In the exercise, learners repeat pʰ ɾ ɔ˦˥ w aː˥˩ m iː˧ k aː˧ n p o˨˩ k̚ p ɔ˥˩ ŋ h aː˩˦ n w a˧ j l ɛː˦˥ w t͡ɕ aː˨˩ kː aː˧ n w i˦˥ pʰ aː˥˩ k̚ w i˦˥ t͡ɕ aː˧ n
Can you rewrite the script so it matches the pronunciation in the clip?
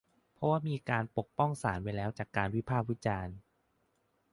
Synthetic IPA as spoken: pʰ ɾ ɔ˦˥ w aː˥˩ m iː˧ k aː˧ n p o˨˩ k̚ p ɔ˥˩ ŋ s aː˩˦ n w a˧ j l ɛː˦˥ w t͡ɕ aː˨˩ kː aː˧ n w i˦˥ pʰ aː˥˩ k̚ w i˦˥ t͡ɕ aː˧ n